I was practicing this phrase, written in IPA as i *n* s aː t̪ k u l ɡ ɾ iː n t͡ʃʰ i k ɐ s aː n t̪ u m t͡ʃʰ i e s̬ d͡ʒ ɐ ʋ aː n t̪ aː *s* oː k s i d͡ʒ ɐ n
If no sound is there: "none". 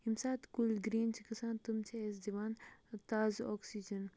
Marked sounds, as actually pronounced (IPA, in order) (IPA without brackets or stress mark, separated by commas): m, z